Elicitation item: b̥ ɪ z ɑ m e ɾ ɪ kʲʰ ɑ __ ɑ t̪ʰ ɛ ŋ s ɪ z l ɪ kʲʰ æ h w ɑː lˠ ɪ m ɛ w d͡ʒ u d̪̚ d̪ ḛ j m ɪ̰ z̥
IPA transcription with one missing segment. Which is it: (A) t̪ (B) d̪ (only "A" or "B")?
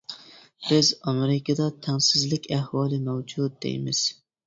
B